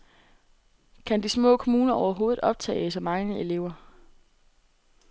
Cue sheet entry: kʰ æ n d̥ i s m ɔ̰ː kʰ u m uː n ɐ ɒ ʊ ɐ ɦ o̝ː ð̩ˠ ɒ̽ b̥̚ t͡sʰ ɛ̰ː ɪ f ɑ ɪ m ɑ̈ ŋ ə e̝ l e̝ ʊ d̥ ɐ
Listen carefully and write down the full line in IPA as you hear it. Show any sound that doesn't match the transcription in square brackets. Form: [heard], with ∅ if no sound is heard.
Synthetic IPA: kʰ æ n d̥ i s m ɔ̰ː kʰ [o] m uː n ɐ ɒ ʊ ɐ ɦ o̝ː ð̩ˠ ɒ̽ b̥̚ t͡sʰ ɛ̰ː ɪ [s] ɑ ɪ m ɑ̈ ŋ ə e̝ l e̝ ʊ [∅] ɐ